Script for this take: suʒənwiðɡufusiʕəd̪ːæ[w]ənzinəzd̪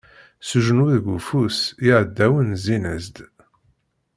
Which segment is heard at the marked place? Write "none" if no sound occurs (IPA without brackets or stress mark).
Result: w